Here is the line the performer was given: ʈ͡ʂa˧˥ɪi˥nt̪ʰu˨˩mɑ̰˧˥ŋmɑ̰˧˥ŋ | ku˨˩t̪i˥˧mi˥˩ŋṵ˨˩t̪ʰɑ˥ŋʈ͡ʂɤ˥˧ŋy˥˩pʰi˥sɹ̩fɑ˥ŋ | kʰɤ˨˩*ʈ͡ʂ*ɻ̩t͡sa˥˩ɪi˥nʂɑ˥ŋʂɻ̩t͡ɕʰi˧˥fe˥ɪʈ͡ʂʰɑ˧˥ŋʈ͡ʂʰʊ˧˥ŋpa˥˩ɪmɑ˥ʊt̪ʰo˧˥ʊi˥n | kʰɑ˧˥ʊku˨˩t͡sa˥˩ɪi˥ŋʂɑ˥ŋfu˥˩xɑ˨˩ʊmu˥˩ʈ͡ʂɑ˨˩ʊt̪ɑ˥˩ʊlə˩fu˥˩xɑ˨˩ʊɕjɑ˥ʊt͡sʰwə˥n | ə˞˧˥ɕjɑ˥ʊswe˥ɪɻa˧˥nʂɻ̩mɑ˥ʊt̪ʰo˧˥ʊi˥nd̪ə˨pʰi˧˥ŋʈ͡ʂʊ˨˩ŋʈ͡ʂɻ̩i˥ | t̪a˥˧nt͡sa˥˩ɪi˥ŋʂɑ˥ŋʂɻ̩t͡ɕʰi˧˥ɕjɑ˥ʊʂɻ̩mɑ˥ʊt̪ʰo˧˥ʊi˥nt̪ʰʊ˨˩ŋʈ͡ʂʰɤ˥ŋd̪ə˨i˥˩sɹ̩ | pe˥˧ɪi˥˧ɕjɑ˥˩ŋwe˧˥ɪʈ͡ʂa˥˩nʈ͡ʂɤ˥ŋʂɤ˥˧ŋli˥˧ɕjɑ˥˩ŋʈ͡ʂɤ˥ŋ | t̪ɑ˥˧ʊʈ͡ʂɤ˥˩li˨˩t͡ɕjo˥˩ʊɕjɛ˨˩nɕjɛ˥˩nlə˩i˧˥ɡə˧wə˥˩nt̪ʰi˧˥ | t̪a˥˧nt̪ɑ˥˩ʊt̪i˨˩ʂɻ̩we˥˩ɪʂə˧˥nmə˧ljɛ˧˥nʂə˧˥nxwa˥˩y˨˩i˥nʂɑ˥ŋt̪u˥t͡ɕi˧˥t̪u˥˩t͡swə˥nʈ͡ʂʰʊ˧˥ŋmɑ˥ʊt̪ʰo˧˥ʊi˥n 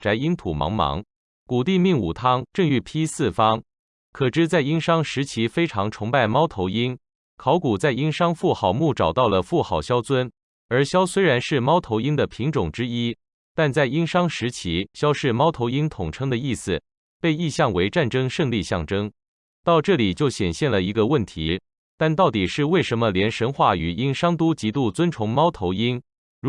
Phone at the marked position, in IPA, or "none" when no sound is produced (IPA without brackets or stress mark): ʈ͡ʂ